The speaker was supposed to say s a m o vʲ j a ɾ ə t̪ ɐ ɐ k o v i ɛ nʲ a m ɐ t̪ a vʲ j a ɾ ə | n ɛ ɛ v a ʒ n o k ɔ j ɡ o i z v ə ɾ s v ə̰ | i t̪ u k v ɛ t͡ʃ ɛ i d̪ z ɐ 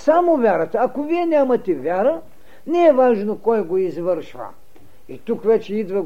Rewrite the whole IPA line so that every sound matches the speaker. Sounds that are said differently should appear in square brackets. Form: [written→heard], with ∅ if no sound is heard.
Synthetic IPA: s a m o vʲ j a ɾ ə t̪ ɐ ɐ k o v i ɛ nʲ a m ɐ t̪ [a→ɛ] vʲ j a ɾ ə | n ɛ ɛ v a ʒ n o k ɔ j ɡ o i z v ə ɾ [s→ʃ] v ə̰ | i t̪ u k v ɛ t͡ʃ ɛ i d̪ [z→v] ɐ